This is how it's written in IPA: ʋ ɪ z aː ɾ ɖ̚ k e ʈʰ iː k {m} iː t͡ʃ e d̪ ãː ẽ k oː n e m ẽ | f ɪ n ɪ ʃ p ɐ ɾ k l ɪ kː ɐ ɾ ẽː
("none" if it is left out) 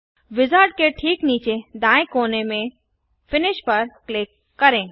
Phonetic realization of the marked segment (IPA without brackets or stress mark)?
n